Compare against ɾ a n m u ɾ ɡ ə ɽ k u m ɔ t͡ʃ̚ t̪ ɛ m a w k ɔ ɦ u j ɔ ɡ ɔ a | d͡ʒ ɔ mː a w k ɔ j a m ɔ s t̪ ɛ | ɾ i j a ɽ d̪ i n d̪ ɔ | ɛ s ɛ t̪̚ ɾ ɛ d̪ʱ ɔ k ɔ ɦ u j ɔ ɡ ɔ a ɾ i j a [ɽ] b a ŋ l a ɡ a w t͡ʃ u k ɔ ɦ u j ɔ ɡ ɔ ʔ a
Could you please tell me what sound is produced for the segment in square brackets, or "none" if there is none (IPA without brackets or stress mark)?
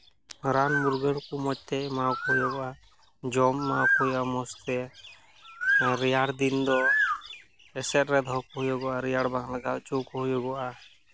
ɽ